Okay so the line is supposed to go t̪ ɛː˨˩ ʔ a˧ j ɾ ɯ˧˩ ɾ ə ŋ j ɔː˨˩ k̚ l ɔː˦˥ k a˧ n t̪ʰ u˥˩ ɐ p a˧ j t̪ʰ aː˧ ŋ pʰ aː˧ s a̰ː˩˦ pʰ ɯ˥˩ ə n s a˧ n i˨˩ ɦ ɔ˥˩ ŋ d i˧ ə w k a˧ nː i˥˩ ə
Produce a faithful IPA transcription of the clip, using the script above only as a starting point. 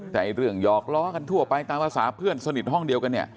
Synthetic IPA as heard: t̪ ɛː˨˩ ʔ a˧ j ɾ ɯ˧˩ ə ŋ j ɔː˨˩ k̚ l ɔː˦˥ k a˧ n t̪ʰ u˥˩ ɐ p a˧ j t̪ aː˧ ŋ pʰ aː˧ s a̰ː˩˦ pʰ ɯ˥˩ ə n s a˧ n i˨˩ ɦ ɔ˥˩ ŋ d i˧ ə w k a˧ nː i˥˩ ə